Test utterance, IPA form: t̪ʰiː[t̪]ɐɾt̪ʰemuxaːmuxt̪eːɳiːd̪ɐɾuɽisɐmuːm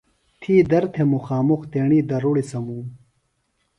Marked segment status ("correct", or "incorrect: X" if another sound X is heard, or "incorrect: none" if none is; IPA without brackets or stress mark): incorrect: d̪